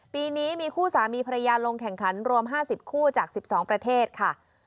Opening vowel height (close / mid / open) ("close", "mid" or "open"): close